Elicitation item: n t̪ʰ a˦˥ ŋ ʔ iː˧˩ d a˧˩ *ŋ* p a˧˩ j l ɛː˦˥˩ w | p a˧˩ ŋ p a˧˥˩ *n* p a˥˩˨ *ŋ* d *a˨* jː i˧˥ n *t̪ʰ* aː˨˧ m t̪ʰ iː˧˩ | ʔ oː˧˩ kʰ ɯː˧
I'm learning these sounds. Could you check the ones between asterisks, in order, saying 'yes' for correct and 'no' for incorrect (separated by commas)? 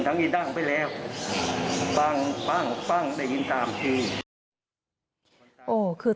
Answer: yes, no, yes, no, no